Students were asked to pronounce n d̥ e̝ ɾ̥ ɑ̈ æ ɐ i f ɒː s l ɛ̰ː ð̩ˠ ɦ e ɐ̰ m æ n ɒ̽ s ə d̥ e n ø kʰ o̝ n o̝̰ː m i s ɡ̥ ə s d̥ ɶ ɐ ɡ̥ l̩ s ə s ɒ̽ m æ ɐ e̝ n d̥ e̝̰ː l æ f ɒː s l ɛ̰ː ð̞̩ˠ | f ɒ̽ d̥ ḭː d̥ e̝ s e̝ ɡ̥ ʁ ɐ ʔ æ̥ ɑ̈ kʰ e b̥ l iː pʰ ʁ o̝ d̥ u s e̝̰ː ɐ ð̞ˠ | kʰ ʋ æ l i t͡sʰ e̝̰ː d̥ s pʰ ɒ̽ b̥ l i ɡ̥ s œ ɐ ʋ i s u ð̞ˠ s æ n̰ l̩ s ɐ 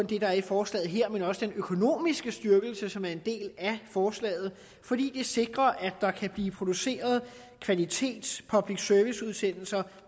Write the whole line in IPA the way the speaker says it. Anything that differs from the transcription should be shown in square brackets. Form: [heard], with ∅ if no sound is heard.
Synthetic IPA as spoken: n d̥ e̝ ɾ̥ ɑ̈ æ ɐ i f ɒː s l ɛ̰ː ð̩ˠ ɦ e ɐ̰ m [e] n ɒ̽ s ə d̥ e n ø kʰ o̝ n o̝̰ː m i s ɡ̥ ə s d̥ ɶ ɐ ɡ̥ l̩ s ə s ɒ̽ m æ ɐ e̝ n d̥ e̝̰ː l æ f ɒː s l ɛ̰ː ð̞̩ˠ | f ɒ̽ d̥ ḭː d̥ e̝ s e̝ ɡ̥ ʁ ɐ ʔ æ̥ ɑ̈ kʰ [æ] b̥ l iː pʰ ʁ o̝ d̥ u s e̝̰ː ɐ ð̞ˠ | kʰ ʋ æ l i t͡sʰ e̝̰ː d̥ s pʰ ɒ̽ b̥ l i ɡ̥ s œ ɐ ʋ i s u ð̞ˠ s [e] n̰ l̩ s ɐ